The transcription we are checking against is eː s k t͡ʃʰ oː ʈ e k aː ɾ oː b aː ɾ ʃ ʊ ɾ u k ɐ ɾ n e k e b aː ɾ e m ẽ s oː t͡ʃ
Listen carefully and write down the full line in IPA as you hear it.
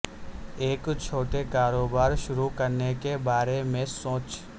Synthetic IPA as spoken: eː k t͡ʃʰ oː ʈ e k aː ɾ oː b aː ɾ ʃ ʊ ɾ u k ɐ ɾ n e k e b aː ɾ e m ẽ s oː t͡ʃ